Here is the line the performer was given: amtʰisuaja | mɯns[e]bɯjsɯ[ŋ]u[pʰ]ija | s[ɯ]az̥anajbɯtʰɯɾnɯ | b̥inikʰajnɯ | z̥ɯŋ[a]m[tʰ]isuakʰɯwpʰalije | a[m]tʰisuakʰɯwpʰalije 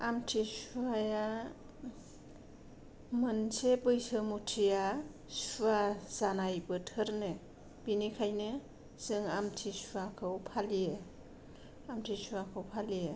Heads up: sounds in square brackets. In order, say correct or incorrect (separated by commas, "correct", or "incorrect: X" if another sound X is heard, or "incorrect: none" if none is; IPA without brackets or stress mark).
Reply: correct, incorrect: m, incorrect: tʰ, incorrect: u, correct, correct, correct